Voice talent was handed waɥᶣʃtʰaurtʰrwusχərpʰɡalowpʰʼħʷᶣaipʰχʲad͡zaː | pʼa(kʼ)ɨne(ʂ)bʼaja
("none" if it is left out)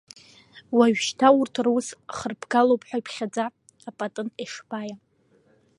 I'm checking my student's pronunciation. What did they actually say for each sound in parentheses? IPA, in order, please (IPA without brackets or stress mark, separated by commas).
tʼ, ʂ